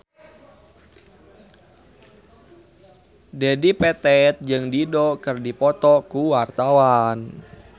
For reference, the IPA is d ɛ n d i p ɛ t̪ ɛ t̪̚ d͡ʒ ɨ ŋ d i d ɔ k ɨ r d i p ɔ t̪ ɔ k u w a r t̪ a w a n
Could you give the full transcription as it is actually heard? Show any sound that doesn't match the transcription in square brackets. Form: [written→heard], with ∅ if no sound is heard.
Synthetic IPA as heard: d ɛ [n→∅] d i p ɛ t̪ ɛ t̪̚ d͡ʒ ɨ ŋ d i d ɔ k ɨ r d i p ɔ t̪ ɔ k u w a r t̪ a w a n

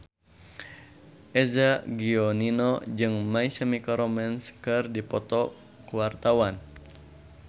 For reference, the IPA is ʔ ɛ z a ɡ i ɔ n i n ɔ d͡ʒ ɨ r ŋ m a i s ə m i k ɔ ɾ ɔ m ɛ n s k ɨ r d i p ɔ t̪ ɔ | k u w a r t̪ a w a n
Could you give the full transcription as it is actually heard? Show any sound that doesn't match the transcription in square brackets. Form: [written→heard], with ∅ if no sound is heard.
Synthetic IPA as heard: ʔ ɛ z a ɡ i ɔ n i n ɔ d͡ʒ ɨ [r→∅] ŋ m a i s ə m i k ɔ ɾ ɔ m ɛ n s k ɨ r d i p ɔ t̪ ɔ | k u w a r t̪ a w a n

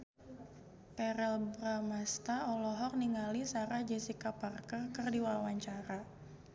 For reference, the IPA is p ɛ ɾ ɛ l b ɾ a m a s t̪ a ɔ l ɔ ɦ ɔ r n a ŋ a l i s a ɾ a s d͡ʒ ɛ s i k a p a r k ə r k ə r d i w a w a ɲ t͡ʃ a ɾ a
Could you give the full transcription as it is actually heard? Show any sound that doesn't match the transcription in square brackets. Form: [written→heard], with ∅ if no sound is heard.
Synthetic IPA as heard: p ɛ ɾ ɛ l b ɾ a m a s t̪ a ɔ l ɔ ɦ ɔ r n [a→i] ŋ a l i s a ɾ a [s→h] d͡ʒ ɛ s i k a p a r k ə r k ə r d i w a w a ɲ t͡ʃ a ɾ a

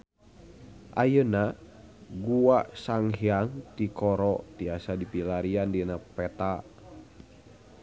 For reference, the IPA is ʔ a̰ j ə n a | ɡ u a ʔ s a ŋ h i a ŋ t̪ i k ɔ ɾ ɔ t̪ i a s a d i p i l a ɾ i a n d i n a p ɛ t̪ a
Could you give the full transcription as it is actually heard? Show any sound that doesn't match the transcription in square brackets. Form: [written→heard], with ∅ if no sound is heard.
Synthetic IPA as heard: ʔ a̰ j ə n a | ɡ u a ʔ s a ŋ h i a ŋ t̪ i k ɔ ɾ ɔ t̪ i a s a d i p i l a ɾ i a n d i n a p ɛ t̪ a

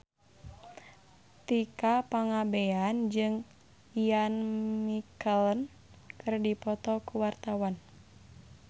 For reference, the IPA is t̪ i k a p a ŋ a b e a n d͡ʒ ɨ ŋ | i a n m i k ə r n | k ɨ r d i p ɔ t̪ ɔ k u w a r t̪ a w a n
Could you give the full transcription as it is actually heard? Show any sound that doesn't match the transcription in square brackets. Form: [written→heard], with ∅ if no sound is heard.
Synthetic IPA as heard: t̪ i k a p a ŋ a b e a n d͡ʒ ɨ ŋ | i a n m i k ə [r→l] n | k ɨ r d i p ɔ t̪ ɔ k u w a r t̪ a w a n

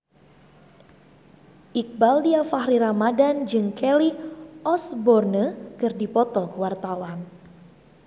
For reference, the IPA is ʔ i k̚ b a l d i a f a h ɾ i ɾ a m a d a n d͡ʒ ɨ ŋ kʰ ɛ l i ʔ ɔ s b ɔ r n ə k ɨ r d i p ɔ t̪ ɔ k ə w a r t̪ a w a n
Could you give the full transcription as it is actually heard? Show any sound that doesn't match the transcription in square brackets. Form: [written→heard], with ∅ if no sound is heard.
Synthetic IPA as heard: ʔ i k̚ b a l d i a f a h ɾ i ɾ a m a d a n d͡ʒ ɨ ŋ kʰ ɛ l i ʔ ɔ s b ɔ r n ə k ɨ r d i p ɔ t̪ ɔ k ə w a r t̪ a w a n

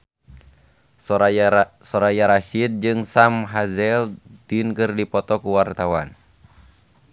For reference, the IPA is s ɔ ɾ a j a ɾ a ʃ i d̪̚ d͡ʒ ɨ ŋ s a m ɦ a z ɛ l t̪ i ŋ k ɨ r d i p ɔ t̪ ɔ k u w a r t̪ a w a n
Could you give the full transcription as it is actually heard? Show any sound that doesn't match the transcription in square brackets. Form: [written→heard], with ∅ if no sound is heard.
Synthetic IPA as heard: s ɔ ɾ a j a ɾ a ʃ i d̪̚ d͡ʒ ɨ ŋ s a m ɦ a z ɛ l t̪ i [ŋ→n] k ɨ r d i p ɔ t̪ ɔ k u w a r t̪ a w a n

